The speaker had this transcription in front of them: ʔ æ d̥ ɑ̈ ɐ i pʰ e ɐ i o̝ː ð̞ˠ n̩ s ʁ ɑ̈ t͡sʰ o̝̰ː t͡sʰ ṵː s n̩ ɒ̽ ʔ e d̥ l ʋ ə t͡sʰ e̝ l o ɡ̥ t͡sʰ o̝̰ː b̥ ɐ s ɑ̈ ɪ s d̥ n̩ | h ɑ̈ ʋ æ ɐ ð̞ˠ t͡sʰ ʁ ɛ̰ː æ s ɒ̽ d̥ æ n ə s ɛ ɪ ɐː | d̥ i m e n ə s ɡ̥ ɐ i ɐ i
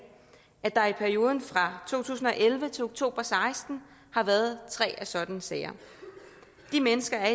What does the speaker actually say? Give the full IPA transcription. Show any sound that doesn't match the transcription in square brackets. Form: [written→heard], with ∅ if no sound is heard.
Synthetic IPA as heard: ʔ æ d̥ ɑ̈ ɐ i pʰ [e→æ] ɐ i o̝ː ð̞ˠ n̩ [s→f] ʁ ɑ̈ t͡sʰ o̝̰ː t͡sʰ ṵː s n̩ ɒ̽ ʔ e [d̥→∅] l ʋ ə t͡sʰ e̝ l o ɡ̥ t͡sʰ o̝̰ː b̥ ɐ s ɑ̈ ɪ s d̥ n̩ | h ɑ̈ ʋ æ ɐ ð̞ˠ t͡sʰ ʁ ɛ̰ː æ s ɒ̽ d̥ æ n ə s ɛ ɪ [ɐː→ɐ] | d̥ i m e n ə s ɡ̥ ɐ [i→æ] ɐ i

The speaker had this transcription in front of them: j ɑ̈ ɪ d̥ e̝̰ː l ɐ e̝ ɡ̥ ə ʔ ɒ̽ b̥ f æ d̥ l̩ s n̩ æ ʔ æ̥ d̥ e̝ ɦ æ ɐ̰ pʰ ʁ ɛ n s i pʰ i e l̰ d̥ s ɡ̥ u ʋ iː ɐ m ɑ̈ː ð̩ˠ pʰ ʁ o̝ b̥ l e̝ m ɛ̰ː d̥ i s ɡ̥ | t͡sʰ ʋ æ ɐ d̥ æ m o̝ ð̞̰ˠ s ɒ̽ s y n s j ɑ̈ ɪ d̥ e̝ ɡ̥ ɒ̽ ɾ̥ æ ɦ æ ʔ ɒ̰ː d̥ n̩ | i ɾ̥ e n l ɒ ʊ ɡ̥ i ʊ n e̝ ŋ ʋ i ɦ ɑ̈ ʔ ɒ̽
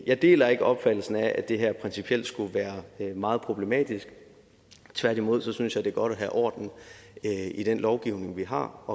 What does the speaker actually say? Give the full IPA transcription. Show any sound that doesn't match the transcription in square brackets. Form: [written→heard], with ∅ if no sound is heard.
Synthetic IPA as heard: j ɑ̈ ɪ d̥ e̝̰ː l ɐ e̝ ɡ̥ ə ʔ ɒ̽ b̥ f æ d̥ l̩ s n̩ æ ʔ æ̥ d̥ e̝ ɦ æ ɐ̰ pʰ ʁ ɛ n s i pʰ i e l̰ d̥ s ɡ̥ u ʋ [iː→æː] ɐ m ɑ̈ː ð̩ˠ pʰ ʁ o̝ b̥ l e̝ m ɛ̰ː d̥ i s ɡ̥ | t͡sʰ ʋ æ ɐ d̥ [æ→i] m o̝ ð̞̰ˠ s ɒ̽ s y n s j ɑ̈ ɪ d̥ e̝ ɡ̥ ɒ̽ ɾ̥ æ ɦ æ ʔ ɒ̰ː d̥ n̩ | i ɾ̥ e n l ɒ ʊ ɡ̥ i ʊ n e̝ ŋ ʋ i ɦ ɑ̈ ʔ ɒ̽

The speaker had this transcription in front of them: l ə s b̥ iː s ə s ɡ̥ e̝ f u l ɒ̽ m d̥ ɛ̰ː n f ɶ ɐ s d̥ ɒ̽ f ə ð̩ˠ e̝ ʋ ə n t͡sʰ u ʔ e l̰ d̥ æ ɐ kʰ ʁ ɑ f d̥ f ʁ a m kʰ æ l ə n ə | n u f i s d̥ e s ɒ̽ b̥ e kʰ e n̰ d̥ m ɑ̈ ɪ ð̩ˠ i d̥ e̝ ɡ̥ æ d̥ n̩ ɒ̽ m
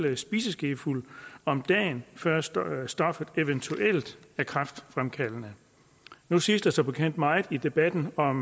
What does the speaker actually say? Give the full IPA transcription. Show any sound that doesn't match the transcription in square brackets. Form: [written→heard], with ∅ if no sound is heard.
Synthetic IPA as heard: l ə s b̥ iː s ə s ɡ̥ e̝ f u l ɒ̽ m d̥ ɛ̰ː n f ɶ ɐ s d̥ ɒ̽ f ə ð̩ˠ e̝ ʋ ə n t͡sʰ u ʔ e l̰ d̥ æ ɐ kʰ ʁ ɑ f d̥ f ʁ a m kʰ æ l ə n ə | n u [f→s] i s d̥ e s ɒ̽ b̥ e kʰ e n̰ d̥ m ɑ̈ ɪ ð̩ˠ i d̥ e̝ [ɡ̥→b̥] æ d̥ n̩ ɒ̽ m

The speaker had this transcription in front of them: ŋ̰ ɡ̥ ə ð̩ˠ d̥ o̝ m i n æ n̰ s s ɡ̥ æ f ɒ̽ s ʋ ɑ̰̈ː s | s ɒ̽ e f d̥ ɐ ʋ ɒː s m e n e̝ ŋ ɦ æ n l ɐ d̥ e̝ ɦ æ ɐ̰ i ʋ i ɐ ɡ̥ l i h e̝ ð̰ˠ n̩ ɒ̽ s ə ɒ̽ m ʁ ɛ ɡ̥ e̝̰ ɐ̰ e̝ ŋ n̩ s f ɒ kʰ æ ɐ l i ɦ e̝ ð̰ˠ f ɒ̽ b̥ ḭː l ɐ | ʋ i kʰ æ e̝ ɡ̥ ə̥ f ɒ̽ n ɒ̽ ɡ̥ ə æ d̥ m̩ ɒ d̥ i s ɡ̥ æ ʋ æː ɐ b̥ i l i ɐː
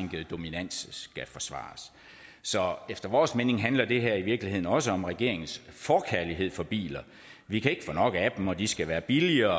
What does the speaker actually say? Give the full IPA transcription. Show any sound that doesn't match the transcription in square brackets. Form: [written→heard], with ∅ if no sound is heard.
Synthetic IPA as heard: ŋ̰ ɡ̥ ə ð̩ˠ d̥ o̝ m i n æ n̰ s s ɡ̥ æ f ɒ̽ s ʋ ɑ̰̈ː s | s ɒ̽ e f d̥ ɐ ʋ ɒː s m e n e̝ ŋ ɦ æ n l ɐ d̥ e̝ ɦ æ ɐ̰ i ʋ i ɐ ɡ̥ l i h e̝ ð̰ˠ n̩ ɒ̽ s ə ɒ̽ m ʁ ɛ ɡ̥ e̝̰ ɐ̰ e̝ ŋ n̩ s f ɒ kʰ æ ɐ l i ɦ e̝ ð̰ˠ f ɒ̽ b̥ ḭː l ɐ | ʋ i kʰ æ e̝ ɡ̥ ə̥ f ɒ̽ n ɒ̽ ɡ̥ ə æ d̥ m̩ ɒ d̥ i s ɡ̥ æ ʋ æː ɐ b̥ i l i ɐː

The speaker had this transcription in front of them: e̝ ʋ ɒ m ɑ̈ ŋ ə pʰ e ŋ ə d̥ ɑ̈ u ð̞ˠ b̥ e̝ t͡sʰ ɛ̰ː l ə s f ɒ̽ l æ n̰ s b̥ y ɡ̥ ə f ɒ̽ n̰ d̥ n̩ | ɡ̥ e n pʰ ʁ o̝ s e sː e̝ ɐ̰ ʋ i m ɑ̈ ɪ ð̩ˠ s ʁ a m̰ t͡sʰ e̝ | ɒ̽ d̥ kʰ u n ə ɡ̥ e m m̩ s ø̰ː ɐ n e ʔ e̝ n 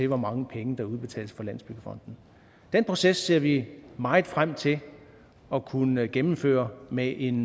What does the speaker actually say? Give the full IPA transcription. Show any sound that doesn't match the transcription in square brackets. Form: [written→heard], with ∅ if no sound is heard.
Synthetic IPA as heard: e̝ ʋ ɒ m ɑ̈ ŋ ə pʰ e ŋ ə d̥ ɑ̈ u ð̞ˠ b̥ e̝ t͡sʰ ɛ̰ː l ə s f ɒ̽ l æ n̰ s b̥ y ɡ̥ ə f ɒ̽ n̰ d̥ n̩ | [ɡ̥→d̥] e n pʰ ʁ o̝ s e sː e̝ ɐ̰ ʋ i m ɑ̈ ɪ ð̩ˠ [s→f] ʁ a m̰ t͡sʰ e̝ | ɒ̽ [d̥→∅] kʰ u n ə ɡ̥ e m m̩ [s→f] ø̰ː ɐ [n→m] e ʔ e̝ n

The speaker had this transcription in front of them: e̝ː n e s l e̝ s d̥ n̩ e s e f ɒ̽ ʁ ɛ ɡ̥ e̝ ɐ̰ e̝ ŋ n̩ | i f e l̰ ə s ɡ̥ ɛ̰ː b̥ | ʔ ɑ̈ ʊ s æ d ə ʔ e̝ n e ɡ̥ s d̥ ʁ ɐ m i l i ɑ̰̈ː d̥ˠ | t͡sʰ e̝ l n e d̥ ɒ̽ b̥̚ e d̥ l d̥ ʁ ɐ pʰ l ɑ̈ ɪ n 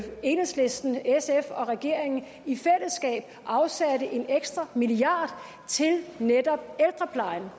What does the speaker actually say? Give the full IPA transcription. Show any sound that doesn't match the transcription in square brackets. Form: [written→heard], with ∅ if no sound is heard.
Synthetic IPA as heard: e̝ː n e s l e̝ s d̥ n̩ e s e f ɒ̽ ʁ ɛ ɡ̥ e̝ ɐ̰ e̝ ŋ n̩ | i f e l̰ ə s ɡ̥ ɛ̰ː b̥ | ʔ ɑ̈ ʊ s æ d ə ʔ e̝ n e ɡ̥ s d̥ ʁ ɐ m i l i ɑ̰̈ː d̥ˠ | t͡sʰ e̝ l n e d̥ ɒ̽ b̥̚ e [d̥→∅] l d̥ ʁ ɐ pʰ l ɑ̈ ɪ n

